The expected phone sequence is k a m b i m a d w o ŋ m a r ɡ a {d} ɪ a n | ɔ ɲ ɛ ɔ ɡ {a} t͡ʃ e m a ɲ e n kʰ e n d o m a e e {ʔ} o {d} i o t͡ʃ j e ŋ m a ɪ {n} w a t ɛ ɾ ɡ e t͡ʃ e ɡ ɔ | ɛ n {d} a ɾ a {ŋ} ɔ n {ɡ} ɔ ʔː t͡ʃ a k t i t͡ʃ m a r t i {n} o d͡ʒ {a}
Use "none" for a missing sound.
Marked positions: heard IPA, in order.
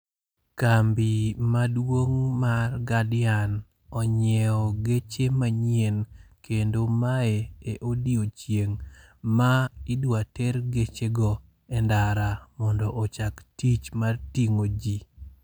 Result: d, e, ʔ, d, d, d, m, d, ŋ, i

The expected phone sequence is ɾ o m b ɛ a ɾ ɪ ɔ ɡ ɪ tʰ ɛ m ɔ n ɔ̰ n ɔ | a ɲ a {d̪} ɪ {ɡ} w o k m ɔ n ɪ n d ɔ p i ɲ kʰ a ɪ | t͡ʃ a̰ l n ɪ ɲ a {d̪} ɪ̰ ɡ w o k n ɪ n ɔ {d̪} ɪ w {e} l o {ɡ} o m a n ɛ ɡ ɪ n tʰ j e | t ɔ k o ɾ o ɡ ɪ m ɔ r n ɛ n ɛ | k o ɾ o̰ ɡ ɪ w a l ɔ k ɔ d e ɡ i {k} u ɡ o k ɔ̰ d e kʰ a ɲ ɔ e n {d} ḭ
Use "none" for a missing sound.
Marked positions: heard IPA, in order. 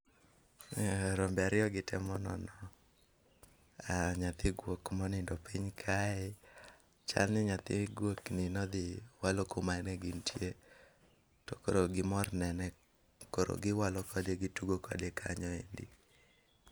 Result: t̪, ɡ, t̪, d̪, a, k, t, d

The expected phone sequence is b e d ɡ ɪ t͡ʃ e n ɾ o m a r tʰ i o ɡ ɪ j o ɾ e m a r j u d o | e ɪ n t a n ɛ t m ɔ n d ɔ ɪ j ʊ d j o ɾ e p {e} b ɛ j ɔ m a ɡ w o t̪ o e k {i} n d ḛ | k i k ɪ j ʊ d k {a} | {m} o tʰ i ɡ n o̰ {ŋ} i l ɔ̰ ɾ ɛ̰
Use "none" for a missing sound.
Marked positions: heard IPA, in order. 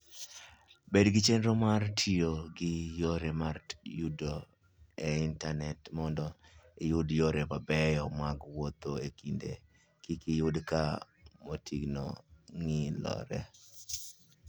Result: a, i, a, m, ŋ

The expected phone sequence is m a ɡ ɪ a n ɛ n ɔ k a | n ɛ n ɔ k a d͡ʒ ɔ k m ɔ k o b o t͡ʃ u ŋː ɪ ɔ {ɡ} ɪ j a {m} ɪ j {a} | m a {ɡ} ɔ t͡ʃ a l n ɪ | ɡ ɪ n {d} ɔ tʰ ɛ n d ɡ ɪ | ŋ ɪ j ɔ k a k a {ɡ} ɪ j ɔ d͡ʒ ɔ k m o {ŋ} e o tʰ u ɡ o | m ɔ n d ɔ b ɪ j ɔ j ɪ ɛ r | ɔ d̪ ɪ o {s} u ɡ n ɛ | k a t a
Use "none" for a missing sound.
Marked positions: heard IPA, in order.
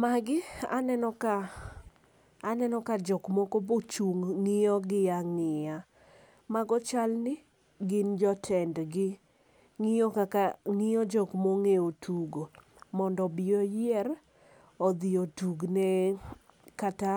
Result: ɡ, ŋ, a, ɡ, d͡ʒ, ŋ, ŋ, t

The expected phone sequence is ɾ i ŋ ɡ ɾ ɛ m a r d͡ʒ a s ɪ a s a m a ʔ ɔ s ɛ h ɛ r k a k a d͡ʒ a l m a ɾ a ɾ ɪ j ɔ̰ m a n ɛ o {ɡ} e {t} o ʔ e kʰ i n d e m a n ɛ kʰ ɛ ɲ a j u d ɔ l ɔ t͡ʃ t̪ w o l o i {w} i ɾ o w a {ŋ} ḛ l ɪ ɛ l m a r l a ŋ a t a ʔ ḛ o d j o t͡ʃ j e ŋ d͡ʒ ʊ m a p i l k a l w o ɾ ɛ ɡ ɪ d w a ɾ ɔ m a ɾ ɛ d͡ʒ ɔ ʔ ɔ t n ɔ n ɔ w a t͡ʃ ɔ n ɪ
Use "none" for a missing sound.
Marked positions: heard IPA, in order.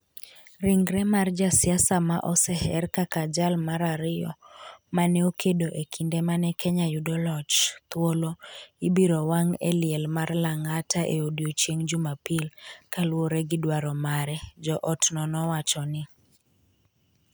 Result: k, d, b, ŋ

